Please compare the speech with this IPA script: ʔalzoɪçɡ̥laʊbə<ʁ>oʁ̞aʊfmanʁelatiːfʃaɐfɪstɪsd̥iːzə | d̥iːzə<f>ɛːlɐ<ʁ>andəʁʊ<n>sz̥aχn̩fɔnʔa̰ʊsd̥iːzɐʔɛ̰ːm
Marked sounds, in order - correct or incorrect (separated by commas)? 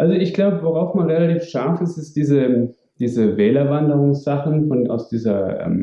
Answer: incorrect, incorrect, incorrect, incorrect